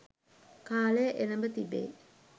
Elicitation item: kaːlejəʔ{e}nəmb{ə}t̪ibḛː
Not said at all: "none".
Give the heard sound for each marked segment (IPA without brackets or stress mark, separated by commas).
e, ə